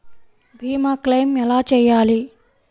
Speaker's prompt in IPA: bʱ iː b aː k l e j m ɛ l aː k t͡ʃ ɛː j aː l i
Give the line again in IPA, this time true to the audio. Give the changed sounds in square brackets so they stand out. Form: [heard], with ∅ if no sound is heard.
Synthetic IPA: bʱ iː [m] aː k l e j m ɛ l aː [∅] t͡ʃ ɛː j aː l i